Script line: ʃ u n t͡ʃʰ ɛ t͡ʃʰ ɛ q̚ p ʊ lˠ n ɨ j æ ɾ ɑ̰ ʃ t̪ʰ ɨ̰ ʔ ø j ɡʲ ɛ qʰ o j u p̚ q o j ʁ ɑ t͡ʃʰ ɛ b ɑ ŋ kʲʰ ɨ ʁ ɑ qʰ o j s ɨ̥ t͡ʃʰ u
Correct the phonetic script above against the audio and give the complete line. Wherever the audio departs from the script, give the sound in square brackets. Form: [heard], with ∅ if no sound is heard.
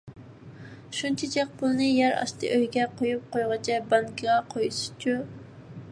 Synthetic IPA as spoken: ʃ u n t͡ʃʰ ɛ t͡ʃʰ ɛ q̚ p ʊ lˠ n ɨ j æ ɾ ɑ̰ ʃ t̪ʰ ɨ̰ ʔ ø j ɡʲ ɛ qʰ o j u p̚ q o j ʁ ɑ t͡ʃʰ ɛ b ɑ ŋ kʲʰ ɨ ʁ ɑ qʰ o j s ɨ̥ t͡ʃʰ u